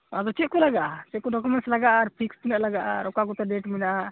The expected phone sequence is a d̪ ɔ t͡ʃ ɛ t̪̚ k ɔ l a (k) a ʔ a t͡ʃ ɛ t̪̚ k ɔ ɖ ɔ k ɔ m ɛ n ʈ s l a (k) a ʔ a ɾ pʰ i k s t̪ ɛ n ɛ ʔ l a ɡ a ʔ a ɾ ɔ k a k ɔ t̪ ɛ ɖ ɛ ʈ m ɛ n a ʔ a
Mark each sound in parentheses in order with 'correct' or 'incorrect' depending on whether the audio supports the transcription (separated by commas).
incorrect, incorrect